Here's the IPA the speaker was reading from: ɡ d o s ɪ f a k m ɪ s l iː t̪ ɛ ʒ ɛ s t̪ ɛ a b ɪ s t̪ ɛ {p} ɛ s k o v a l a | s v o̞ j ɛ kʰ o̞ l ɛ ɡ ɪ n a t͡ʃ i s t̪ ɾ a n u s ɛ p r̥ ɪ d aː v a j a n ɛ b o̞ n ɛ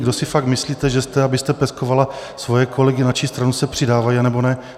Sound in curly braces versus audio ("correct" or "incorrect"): correct